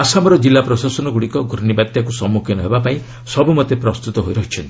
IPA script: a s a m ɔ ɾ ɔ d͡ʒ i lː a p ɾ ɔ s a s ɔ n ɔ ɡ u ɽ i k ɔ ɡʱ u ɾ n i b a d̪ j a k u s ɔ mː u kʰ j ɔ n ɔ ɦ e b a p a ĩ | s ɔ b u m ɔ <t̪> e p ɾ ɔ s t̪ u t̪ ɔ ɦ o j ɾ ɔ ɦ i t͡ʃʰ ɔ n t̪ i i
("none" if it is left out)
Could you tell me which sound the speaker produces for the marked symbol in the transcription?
t̪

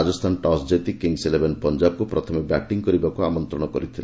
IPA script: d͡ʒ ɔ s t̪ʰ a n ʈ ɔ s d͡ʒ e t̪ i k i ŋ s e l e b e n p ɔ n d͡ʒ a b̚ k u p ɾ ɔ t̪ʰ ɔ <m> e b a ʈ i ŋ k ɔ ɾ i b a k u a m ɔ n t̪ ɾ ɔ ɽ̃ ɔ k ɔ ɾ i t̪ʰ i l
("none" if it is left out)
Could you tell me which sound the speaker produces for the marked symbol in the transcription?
m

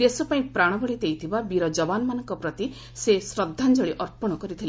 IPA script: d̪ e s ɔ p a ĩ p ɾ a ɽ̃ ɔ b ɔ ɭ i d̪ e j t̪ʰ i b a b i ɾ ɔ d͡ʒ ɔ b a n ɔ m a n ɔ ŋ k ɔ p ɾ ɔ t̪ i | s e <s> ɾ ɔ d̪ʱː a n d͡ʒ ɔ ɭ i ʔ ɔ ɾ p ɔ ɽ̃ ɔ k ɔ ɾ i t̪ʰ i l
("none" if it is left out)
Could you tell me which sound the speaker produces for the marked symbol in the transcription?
s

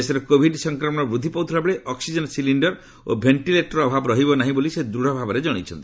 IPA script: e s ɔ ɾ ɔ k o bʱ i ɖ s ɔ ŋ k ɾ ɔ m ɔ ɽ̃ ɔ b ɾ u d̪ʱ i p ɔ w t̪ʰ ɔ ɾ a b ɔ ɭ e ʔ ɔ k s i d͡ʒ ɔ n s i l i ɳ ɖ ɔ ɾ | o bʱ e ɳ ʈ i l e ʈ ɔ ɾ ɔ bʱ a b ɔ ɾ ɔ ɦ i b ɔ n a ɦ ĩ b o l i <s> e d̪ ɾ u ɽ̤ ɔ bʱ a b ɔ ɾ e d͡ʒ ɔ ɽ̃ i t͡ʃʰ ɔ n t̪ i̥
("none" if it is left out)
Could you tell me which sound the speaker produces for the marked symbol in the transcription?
s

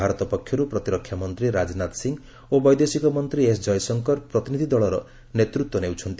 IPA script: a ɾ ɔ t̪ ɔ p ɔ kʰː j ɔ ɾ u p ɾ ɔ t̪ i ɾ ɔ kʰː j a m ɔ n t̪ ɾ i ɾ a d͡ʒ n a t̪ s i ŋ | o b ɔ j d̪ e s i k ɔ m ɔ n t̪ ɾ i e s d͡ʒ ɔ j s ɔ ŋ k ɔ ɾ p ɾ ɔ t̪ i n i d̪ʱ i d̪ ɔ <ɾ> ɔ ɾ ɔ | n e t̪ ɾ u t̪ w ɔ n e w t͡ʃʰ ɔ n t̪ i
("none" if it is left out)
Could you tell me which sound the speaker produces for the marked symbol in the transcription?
ɭ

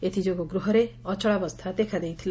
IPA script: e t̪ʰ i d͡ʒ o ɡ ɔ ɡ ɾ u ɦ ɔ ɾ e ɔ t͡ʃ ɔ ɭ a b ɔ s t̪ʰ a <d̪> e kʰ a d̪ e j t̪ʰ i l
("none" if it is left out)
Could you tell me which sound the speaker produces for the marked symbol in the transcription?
d̪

